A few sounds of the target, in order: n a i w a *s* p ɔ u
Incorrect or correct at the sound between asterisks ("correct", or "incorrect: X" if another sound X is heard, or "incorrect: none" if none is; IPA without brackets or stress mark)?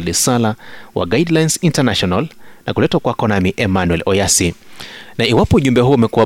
incorrect: none